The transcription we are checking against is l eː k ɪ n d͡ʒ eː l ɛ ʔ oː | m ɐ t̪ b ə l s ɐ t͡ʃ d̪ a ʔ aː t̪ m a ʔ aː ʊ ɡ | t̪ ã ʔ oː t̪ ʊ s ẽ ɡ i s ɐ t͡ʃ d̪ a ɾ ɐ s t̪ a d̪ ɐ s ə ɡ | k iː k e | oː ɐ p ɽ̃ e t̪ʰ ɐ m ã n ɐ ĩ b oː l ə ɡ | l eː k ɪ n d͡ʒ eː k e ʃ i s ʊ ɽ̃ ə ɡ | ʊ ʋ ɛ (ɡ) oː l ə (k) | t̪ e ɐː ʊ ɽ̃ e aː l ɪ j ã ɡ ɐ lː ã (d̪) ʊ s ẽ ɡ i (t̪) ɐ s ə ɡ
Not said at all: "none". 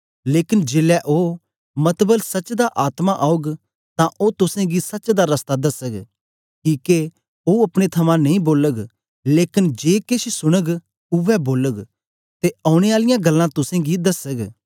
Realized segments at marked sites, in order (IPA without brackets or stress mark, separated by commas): b, ɡ, t̪, d̪